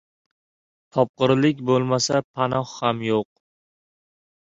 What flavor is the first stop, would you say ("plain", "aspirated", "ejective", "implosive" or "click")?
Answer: aspirated